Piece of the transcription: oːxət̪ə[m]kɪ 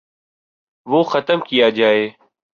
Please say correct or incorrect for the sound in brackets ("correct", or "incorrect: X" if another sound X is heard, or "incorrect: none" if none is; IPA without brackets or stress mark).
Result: correct